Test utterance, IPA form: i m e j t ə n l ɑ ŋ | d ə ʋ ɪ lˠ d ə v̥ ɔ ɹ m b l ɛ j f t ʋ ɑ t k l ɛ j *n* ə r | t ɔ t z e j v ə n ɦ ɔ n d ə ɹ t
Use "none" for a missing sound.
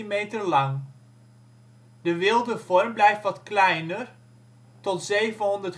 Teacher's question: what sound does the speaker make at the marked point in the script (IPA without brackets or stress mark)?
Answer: n